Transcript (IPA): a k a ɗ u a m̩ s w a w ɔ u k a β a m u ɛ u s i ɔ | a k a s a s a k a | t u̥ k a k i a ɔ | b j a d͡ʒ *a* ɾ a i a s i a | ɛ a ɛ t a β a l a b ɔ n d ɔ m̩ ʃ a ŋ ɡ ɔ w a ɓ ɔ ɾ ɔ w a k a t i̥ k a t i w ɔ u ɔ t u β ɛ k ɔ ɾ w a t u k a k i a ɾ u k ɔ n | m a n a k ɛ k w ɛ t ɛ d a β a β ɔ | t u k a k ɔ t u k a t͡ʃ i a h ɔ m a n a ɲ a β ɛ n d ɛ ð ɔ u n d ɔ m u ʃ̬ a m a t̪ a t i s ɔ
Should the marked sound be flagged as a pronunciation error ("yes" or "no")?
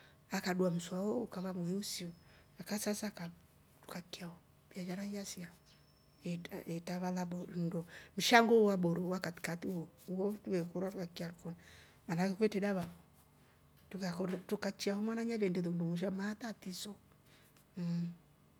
no